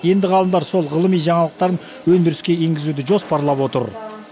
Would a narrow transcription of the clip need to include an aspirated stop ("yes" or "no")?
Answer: no